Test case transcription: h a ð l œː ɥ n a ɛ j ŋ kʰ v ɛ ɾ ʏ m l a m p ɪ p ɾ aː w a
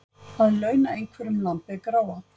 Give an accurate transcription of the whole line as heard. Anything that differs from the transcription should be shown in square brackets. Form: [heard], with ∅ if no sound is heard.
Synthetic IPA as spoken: h a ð l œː ɥ n a [e] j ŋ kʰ v ɛ ɾ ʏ m l a m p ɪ [k] ɾ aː w a